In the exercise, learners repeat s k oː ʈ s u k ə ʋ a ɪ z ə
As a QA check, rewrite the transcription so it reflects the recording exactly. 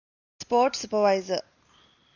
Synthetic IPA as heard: s p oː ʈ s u p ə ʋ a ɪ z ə